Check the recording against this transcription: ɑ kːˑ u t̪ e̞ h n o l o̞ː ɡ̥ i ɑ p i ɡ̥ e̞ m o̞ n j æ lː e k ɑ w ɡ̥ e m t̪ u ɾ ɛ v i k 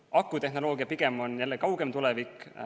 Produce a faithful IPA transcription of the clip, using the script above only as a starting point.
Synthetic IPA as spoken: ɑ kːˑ u t̪ e̞ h n o l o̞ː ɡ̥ i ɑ p i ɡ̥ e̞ m o̞ n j æ lː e k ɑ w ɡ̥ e m t̪ u l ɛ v i k